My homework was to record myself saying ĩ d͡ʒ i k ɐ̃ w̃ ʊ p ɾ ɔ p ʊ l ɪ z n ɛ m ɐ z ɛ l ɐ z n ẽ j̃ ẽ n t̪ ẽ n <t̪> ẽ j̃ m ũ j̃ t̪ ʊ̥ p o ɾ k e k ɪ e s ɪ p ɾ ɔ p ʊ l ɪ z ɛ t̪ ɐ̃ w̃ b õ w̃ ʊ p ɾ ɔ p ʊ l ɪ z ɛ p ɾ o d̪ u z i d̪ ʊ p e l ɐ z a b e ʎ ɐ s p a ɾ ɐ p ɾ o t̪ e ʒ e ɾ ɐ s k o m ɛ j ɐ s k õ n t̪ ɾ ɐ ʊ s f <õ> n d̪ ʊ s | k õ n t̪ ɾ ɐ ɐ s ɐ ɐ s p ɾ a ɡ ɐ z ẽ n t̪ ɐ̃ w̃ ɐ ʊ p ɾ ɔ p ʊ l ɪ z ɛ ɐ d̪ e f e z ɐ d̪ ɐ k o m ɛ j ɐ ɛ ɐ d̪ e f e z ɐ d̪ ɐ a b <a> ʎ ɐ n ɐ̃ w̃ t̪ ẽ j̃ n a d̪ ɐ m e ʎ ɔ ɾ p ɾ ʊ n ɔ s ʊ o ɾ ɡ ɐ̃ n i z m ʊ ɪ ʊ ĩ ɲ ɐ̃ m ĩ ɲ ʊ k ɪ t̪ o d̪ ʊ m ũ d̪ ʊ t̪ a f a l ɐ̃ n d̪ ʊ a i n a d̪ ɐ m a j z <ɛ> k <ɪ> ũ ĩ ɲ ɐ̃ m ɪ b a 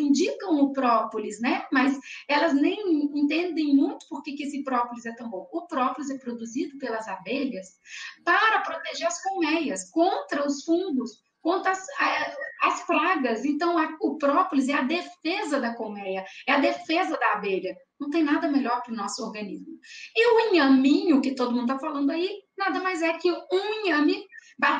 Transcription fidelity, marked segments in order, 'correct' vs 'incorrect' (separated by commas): incorrect, incorrect, incorrect, correct, correct